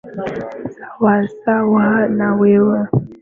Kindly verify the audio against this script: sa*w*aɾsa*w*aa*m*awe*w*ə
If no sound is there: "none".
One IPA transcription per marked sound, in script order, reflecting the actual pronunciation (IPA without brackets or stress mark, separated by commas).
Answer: w, w, n, w